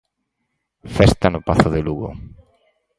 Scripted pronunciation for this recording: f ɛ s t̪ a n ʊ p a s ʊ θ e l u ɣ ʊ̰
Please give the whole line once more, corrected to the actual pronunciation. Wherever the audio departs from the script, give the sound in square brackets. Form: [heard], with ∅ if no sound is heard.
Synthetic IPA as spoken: f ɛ s t̪ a n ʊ p a [θ] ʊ [ð] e l u ɣ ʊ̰